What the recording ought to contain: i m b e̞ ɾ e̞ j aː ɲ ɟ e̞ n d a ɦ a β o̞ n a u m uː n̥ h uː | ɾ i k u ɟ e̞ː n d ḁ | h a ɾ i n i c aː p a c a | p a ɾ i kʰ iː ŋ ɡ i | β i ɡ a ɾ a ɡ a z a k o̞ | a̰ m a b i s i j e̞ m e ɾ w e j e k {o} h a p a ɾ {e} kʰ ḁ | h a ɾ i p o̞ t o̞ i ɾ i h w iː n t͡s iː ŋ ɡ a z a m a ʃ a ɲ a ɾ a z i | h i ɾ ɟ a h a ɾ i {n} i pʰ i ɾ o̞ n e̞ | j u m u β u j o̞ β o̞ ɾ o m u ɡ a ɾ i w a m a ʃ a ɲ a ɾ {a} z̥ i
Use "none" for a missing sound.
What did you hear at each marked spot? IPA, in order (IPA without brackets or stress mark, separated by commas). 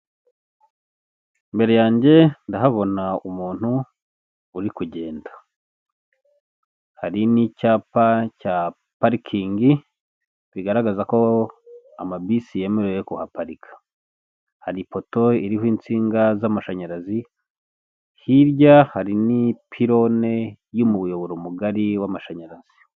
u, i, n, a